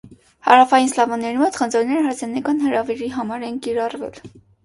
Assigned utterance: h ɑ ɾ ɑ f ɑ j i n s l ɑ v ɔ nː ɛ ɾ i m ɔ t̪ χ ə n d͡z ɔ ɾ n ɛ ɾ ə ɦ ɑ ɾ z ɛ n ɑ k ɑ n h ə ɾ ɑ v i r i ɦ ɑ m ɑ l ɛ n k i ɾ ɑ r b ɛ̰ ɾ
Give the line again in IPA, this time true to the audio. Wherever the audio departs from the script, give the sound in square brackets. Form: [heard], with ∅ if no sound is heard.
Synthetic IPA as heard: h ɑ ɾ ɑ f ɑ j i n s l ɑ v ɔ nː ɛ ɾ i m ɔ t̪ χ ə n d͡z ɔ ɾ n ɛ ɾ ə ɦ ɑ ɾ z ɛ n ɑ k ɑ n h ə ɾ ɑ v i [ɾ] i ɦ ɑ m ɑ [ɾ] ɛ n k i ɾ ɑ r [v] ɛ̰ [l]